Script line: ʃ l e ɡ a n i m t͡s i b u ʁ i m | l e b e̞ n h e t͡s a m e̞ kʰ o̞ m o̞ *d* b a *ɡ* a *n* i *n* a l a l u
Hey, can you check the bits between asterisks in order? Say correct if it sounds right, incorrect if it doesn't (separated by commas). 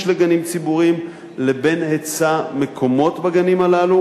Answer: incorrect, correct, correct, incorrect